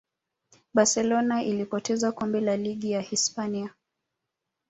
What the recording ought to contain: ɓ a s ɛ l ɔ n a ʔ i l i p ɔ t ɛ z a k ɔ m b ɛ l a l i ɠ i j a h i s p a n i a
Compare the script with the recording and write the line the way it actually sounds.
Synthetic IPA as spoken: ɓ a s ɛ l ɔ n a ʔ i l i p ɔ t ɛ z a k ɔ m b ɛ l a l i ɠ i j a h i s p a n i a